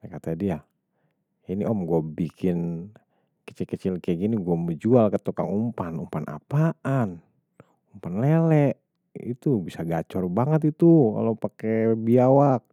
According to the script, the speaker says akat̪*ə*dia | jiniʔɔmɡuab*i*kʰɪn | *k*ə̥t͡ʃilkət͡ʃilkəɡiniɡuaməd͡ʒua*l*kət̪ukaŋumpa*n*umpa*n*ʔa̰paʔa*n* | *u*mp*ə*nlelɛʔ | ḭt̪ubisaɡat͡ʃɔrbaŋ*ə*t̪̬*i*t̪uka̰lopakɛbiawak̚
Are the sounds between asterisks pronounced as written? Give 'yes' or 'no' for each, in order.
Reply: no, yes, yes, yes, yes, yes, yes, yes, no, yes, yes

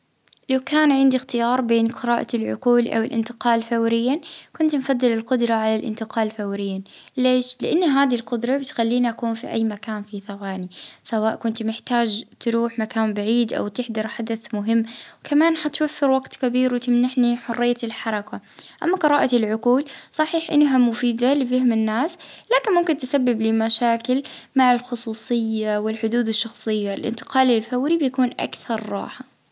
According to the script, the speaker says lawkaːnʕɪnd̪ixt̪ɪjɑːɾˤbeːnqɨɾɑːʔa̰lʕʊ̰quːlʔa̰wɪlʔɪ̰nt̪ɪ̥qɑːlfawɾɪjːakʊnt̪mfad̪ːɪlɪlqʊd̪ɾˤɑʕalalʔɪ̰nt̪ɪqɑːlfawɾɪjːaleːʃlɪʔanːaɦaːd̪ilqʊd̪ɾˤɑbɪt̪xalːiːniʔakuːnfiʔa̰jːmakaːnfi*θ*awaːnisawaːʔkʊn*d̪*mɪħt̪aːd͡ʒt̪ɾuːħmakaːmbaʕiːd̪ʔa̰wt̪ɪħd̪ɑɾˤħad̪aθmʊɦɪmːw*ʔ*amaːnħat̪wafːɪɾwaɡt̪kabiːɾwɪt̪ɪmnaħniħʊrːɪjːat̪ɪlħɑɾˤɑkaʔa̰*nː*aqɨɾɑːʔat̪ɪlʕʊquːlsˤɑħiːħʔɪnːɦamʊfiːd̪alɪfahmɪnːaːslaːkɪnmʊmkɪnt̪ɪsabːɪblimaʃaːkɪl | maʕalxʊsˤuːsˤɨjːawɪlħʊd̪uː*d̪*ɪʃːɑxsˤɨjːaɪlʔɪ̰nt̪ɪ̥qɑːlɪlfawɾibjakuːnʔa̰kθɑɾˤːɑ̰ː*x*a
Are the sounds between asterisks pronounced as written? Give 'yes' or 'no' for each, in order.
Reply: yes, no, no, no, yes, no

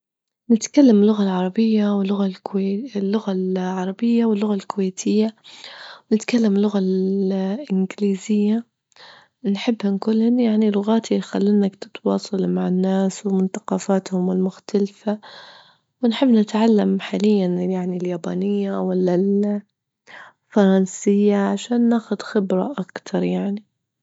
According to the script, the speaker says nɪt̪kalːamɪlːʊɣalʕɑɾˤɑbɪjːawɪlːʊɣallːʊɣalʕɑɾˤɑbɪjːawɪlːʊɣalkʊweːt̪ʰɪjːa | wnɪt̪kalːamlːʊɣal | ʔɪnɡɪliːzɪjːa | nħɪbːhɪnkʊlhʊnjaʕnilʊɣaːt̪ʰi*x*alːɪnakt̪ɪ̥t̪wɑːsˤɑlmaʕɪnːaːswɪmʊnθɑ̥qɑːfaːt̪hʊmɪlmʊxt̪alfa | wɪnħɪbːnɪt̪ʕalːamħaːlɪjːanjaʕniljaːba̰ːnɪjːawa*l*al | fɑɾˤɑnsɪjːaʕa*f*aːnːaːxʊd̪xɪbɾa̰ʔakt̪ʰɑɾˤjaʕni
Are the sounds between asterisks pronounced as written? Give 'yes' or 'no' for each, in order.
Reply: yes, no, no

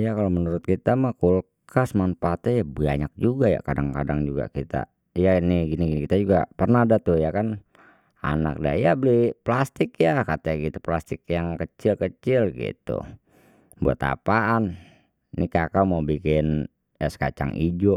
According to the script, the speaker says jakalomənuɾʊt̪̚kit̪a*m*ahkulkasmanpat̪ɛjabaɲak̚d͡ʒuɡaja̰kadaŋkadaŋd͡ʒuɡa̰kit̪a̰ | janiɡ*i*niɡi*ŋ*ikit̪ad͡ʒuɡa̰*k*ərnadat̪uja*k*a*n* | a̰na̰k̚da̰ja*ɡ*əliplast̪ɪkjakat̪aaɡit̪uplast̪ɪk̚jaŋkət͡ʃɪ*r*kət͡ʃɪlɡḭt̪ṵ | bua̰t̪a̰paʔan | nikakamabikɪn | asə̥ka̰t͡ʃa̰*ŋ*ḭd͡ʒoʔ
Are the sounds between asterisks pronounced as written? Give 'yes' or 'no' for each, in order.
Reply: yes, yes, no, no, yes, yes, no, no, yes

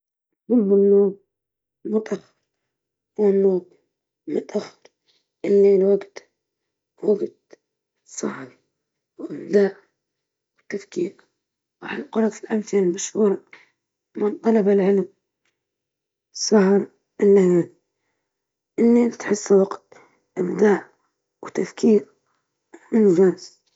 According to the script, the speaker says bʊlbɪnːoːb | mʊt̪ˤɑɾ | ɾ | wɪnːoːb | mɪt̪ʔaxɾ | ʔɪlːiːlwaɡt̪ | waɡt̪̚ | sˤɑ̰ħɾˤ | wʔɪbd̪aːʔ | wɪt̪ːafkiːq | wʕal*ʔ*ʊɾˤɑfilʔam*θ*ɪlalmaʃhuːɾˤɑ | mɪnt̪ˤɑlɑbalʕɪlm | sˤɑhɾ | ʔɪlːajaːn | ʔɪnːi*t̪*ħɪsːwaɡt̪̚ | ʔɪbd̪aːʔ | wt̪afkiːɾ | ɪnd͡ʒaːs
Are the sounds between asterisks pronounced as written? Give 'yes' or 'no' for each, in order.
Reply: no, yes, yes

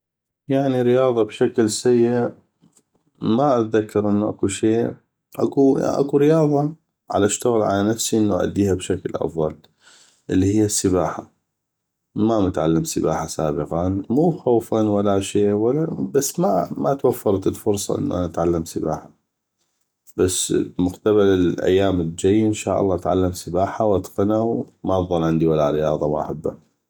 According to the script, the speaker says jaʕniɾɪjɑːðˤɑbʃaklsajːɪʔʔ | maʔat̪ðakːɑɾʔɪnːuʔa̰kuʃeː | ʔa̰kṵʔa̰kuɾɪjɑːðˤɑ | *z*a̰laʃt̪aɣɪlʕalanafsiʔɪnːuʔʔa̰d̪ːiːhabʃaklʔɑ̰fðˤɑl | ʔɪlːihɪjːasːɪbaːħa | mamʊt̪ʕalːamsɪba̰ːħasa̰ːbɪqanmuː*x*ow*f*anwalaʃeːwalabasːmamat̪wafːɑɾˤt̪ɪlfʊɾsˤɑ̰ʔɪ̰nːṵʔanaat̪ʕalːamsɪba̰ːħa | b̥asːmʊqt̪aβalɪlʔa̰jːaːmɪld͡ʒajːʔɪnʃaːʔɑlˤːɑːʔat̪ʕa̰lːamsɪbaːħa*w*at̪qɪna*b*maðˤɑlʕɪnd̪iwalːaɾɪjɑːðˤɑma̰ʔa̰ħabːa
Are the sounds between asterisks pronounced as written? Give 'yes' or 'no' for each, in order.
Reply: no, yes, yes, yes, no

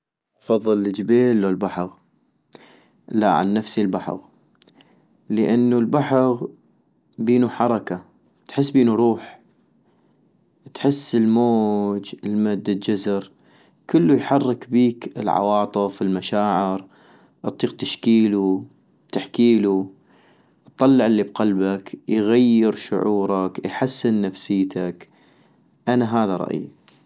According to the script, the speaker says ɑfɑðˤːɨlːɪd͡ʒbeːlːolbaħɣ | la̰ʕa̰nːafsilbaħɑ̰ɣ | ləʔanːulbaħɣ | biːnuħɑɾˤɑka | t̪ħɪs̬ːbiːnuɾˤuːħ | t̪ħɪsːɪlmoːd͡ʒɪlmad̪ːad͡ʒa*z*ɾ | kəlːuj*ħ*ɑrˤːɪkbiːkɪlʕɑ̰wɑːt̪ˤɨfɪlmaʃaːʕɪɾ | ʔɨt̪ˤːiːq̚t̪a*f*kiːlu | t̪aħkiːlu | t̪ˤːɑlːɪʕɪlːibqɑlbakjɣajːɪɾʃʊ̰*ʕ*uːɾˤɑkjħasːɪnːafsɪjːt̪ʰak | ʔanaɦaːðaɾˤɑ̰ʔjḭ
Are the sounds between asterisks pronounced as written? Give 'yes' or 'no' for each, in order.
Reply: yes, yes, no, yes

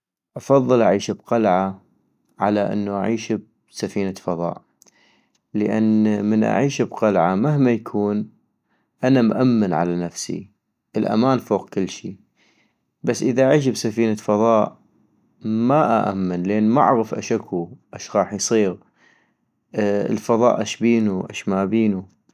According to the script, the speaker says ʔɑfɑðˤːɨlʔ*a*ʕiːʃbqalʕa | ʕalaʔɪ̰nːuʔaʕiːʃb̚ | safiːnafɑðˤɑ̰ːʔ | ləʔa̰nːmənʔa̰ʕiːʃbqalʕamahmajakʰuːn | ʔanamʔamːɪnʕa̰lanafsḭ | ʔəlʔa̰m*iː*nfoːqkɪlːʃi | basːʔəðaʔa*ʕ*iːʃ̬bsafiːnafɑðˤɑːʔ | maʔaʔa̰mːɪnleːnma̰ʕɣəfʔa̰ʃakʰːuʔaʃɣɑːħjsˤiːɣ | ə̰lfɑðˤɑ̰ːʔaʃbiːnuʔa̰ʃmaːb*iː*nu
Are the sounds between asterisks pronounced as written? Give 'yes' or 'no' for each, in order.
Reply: yes, no, yes, yes

